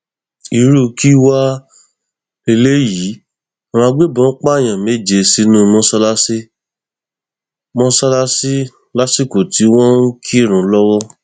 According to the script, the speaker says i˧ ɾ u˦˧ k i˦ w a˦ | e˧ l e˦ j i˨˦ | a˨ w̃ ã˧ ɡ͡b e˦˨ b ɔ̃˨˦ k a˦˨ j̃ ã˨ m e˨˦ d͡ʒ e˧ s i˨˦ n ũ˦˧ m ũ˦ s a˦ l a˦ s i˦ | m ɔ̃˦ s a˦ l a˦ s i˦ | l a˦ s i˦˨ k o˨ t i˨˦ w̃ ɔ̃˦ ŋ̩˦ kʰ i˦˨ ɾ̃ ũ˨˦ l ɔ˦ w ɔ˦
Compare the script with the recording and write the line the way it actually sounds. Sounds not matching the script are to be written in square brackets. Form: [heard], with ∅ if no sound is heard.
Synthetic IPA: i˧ ɾ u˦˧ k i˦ w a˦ | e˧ l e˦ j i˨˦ | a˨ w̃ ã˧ ɡ͡b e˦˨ b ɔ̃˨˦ [k͡p] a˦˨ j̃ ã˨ m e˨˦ d͡ʒ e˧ s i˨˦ n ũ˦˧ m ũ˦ s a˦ l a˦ s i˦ | m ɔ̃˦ s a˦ l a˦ s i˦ | l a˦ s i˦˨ k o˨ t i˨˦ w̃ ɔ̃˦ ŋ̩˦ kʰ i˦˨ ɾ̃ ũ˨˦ l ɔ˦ w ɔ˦

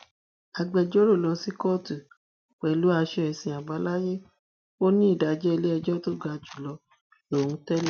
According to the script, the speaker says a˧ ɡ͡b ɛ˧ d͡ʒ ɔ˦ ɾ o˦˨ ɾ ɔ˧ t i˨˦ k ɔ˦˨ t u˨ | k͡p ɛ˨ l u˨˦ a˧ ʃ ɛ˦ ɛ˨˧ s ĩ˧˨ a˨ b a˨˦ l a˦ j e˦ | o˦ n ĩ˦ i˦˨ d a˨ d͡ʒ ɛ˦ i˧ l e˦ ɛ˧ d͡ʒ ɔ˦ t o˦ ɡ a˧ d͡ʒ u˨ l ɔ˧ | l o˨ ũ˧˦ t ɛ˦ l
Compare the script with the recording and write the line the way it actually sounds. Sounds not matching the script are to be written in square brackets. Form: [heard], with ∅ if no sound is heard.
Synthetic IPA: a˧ ɡ͡b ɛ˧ d͡ʒ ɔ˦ ɾ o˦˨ [l] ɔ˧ [s] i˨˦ k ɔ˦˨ t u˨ | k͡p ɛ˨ l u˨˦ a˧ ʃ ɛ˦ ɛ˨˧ s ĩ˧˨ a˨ b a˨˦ l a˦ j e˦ | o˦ n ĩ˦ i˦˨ d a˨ d͡ʒ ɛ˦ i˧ l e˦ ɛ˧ d͡ʒ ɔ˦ t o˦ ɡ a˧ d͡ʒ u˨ l ɔ˧ | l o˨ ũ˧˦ t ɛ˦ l

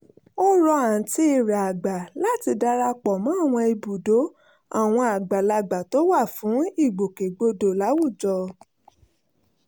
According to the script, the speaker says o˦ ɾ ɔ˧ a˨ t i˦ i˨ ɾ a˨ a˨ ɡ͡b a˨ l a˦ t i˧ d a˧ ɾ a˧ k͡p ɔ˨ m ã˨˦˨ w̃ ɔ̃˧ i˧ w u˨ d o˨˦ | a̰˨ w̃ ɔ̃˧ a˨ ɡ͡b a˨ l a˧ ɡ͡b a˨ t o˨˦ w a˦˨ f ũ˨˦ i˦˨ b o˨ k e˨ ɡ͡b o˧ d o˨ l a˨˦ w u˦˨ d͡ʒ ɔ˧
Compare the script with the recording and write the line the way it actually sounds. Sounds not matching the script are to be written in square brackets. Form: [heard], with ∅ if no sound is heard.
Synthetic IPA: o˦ ɾ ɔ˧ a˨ t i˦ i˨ ɾ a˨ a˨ ɡ͡b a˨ l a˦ t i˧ d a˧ ɾ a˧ k͡p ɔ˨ m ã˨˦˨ w̃ ɔ̃˧ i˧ [b] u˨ d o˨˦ | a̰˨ w̃ ɔ̃˧ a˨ ɡ͡b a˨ l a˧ ɡ͡b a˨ t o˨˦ w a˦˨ f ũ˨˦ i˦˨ [ɡ͡b] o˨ k e˨ ɡ͡b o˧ d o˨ l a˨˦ w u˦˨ d͡ʒ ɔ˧

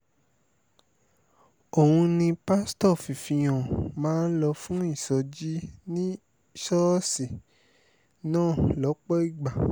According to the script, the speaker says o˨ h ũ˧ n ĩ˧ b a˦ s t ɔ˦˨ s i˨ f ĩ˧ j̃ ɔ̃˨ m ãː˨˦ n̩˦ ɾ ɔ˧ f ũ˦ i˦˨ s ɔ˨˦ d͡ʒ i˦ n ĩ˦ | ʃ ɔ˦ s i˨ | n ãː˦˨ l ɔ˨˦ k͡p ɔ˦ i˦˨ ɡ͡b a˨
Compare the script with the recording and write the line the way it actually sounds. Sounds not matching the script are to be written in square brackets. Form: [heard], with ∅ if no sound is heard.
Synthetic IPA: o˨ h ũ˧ n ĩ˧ [p] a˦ s t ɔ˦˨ [f] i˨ f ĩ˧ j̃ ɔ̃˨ m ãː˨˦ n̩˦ [l] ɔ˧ f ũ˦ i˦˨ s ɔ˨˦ d͡ʒ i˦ n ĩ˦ | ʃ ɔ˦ s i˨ | n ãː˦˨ l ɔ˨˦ k͡p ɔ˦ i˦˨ ɡ͡b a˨

